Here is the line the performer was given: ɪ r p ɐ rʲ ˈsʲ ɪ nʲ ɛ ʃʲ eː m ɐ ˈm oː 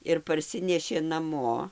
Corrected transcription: ɪ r p ɐ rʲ ˈsʲ ɪ nʲ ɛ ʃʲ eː n ɐ ˈm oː